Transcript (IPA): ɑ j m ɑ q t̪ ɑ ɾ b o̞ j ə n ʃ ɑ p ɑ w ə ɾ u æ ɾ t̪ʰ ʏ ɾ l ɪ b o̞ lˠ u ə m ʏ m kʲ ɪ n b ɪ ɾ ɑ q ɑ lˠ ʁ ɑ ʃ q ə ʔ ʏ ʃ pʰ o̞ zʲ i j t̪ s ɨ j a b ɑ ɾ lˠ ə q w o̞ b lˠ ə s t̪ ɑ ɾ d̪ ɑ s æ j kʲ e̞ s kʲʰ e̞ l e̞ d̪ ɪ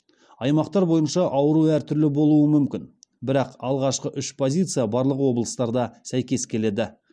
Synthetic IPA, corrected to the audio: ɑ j m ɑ q t̪ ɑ ɾ b o̞ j ə n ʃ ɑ ʔ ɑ w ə ɾ u æ ɾ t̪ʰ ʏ ɾ l ɪ b o̞ lˠ u ə m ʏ m kʲ ɪ n b ɪ ɾ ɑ q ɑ lˠ ʁ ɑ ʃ q ə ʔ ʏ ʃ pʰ o̞ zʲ i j t̪ s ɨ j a b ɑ ɾ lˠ ə q w o̞ b lˠ ə s t̪ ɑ ɾ d̪ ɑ s æ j kʲ e̞ s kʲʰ e̞ l e̞ d̪ ɪ